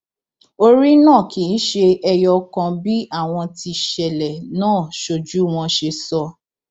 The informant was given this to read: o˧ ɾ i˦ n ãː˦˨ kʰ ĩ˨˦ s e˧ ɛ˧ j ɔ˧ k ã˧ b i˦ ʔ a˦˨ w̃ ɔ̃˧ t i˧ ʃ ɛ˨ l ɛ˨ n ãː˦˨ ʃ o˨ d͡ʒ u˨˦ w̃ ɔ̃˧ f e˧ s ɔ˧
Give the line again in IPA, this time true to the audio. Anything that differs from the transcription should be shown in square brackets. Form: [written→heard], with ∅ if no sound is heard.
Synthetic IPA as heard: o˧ ɾ i˦ n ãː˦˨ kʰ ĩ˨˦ [s→ʃ] e˧ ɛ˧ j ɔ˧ k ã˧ b i˦ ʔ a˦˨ w̃ ɔ̃˧ t i˧ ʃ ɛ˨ l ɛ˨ n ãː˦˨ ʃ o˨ d͡ʒ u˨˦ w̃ ɔ̃˧ [f→ʃ] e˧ s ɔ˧